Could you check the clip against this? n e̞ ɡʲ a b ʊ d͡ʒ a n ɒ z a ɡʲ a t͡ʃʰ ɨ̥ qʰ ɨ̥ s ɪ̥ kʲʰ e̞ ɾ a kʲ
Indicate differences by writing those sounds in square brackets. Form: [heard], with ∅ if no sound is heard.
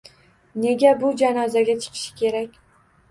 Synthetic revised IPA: n e̞ ɡʲ a b ʊ d͡ʒ a n ɒ z a ɡʲ a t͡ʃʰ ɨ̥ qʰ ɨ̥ [ʃ] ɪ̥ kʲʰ e̞ ɾ a kʲ